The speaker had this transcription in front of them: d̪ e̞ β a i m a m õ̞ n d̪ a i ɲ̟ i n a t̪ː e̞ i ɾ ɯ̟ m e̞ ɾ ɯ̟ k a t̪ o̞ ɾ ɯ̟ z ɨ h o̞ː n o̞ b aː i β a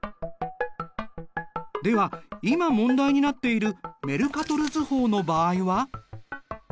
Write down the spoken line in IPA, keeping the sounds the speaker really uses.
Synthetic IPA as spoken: d̪ e̞ β a i m a m õ̞ n d̪ a i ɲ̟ i n a t̪ː e̞ i ɾ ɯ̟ m e̞ ɾ ɯ̟ k a t̪ o̞ ɾ ɯ̟ z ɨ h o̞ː n o̞ b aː i β a